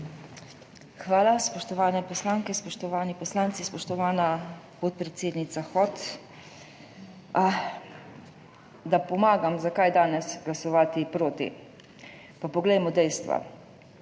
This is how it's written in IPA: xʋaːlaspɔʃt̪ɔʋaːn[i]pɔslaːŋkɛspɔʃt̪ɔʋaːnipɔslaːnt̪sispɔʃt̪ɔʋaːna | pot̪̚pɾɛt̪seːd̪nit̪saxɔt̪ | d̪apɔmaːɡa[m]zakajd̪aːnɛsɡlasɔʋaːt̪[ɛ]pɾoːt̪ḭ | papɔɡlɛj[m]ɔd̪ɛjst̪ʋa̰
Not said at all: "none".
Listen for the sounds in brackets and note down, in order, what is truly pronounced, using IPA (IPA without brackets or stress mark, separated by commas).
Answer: ɛ, m, i, m